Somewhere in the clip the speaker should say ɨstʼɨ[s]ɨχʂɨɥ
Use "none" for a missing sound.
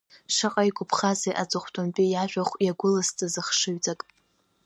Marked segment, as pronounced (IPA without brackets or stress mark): z